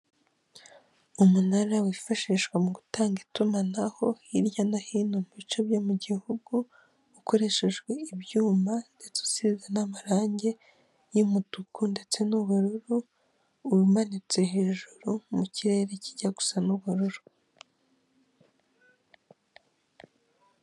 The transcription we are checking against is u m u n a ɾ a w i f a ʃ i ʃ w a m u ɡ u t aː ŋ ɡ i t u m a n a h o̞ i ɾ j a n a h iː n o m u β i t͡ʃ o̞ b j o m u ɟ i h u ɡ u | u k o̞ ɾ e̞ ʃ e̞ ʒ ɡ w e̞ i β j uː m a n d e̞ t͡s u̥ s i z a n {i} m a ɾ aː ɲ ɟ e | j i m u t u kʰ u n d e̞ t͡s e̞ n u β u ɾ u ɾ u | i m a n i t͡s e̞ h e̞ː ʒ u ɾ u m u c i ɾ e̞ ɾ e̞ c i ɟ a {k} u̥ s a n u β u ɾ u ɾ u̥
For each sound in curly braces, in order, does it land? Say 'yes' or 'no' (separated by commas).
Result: no, no